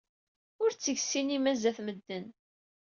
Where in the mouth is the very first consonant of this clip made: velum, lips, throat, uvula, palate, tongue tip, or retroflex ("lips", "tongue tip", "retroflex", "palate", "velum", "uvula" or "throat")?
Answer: tongue tip